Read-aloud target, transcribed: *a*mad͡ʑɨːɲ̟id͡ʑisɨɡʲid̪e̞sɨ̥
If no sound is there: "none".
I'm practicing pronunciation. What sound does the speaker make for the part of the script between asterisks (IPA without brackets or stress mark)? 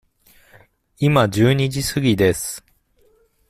i